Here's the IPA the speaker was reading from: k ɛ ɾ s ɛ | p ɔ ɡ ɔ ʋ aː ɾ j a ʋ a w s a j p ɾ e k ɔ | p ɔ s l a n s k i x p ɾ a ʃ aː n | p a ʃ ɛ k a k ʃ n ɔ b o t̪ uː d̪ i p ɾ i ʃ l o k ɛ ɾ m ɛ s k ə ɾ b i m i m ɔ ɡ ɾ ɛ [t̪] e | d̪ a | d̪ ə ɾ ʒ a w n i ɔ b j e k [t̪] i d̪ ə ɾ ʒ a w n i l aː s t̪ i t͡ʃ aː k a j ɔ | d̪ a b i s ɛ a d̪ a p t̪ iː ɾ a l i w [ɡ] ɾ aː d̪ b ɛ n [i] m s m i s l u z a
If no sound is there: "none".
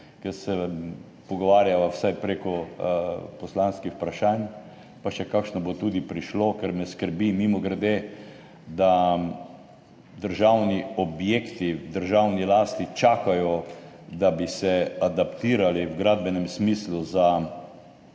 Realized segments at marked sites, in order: d̪, t̪, ɡ, ɛ

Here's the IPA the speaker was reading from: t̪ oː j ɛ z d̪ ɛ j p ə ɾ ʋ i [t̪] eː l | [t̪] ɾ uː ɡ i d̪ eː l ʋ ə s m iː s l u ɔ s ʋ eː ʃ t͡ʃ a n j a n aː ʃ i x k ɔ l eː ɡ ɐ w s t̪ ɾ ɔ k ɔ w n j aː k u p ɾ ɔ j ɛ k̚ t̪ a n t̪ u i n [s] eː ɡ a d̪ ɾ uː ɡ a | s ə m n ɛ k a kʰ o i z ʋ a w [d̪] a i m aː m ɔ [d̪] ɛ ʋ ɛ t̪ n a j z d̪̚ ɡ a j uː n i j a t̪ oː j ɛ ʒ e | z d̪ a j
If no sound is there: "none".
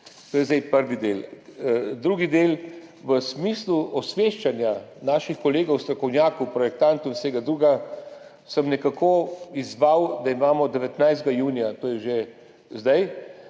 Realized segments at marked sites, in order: d̪, d̪, s, d̪, d̪

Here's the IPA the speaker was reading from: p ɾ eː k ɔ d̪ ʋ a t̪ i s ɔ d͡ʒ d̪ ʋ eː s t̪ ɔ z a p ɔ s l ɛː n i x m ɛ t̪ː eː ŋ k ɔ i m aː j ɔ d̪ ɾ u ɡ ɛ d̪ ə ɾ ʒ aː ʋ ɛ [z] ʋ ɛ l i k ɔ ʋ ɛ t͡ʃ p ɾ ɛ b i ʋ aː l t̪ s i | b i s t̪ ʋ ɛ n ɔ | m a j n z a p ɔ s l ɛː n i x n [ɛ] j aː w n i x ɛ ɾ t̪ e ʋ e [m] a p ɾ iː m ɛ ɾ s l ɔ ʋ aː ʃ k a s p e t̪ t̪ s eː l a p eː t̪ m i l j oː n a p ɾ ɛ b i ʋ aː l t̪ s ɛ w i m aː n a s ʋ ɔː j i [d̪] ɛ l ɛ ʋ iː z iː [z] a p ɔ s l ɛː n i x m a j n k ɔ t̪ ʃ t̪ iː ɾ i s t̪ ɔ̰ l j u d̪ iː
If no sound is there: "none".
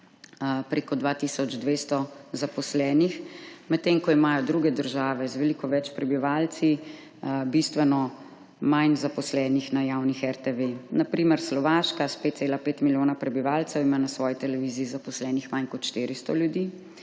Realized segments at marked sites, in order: z, a, n, t̪, z

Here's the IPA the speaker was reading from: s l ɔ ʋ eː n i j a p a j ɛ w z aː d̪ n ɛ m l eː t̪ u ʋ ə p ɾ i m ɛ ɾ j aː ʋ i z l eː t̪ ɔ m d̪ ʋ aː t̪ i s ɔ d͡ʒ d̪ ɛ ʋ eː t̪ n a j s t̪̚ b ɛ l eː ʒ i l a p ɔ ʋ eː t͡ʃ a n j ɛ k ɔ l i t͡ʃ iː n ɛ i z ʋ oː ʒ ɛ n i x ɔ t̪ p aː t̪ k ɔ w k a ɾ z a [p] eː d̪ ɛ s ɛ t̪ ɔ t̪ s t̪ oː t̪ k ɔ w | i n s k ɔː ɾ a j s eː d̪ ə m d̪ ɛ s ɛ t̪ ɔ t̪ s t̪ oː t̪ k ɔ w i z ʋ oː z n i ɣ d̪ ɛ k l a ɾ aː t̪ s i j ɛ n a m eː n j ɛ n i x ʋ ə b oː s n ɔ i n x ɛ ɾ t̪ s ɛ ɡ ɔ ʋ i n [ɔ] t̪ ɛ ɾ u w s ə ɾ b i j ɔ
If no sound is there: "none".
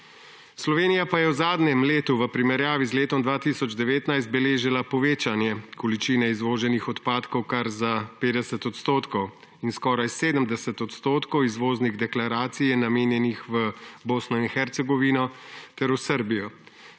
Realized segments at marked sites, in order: p, ɔ

